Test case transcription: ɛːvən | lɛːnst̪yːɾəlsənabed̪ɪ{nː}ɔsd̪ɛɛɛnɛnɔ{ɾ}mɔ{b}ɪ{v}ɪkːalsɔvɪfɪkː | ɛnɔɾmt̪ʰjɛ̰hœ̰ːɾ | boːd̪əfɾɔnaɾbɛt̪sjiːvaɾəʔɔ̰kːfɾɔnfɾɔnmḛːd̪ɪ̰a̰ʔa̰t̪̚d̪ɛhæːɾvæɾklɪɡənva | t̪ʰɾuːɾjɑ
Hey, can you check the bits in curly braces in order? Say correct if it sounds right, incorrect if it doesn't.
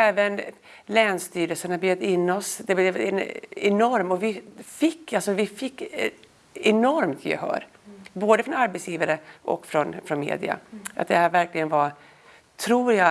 correct, correct, incorrect: v, incorrect: f

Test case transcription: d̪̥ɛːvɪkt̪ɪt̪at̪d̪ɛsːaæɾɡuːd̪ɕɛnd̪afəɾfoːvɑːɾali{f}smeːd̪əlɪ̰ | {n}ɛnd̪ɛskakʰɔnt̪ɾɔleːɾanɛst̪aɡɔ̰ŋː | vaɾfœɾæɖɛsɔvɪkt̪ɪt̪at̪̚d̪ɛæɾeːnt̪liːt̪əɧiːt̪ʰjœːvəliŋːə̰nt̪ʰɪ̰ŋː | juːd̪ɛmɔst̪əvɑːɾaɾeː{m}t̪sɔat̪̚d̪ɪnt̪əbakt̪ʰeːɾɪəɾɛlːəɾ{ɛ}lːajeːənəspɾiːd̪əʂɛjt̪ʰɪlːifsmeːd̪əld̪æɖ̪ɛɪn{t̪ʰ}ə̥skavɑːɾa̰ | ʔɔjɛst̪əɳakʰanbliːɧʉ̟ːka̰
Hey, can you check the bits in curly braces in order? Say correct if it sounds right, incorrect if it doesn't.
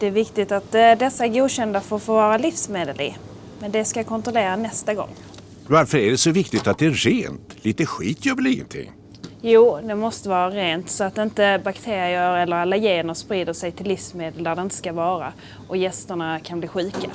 correct, incorrect: m, incorrect: n, incorrect: a, incorrect: t̪

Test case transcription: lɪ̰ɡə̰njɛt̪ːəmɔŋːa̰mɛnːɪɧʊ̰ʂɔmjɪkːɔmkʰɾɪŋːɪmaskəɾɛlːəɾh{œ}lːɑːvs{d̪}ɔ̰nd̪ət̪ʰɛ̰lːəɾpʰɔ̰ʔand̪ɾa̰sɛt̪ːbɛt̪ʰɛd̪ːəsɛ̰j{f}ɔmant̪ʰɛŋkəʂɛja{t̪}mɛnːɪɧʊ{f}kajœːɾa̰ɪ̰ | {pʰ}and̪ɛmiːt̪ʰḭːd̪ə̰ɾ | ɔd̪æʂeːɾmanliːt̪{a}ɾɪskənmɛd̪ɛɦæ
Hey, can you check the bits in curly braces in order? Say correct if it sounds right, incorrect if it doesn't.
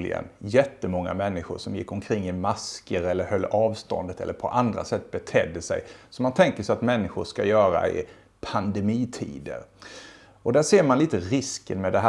correct, incorrect: t̪, incorrect: s, correct, incorrect: ʂ, correct, incorrect: ə

